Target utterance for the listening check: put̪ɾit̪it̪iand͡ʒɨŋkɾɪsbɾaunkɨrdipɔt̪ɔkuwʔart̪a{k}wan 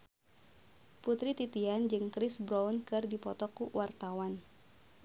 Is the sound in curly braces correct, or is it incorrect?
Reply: incorrect